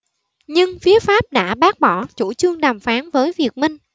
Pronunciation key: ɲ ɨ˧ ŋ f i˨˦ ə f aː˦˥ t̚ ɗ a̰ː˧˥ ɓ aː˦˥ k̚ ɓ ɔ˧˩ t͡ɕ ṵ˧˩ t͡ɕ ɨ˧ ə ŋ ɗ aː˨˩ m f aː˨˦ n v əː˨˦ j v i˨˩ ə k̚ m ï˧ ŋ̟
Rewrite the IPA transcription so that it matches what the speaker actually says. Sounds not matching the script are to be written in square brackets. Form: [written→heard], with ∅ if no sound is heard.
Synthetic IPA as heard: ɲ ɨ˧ ŋ f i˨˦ ə f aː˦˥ [t̚→p̚] ɗ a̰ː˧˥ ɓ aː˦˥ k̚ ɓ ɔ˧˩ t͡ɕ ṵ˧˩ t͡ɕ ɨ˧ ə ŋ ɗ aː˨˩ m f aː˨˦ n v əː˨˦ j v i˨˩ ə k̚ m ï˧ ŋ̟